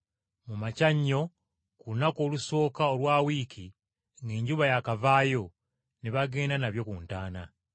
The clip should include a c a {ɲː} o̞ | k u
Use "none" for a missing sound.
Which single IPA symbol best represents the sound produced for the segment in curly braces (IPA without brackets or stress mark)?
ɲː